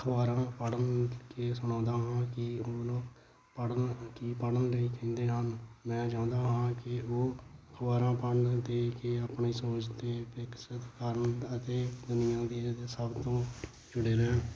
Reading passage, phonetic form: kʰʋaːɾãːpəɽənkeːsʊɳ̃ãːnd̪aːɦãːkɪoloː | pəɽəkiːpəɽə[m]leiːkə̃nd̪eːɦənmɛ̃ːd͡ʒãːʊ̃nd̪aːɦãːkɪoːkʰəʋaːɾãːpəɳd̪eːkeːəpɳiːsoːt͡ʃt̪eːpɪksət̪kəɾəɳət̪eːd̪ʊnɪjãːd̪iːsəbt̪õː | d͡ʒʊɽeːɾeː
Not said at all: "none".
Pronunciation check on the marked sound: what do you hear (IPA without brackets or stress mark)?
n